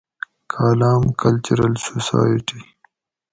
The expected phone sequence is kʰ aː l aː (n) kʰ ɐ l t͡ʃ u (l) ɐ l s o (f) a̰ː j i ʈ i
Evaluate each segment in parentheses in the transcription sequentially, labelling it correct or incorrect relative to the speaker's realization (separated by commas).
incorrect, incorrect, incorrect